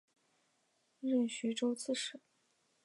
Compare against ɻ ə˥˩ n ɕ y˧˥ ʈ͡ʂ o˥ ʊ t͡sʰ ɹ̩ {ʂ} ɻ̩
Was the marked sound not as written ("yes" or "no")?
no